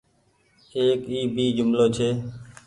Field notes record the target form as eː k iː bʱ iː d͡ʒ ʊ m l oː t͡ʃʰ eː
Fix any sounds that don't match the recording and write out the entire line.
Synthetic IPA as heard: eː k iː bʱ iː d͡ʒ ʊ m l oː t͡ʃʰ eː